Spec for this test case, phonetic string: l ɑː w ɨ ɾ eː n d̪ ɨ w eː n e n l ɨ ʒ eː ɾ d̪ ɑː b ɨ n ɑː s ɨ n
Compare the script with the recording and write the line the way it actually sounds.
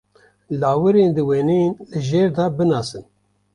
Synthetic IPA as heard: l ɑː w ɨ ɾ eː n d̪ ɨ w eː n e n l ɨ ʒ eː ɾ d̪ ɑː b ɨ n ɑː s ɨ n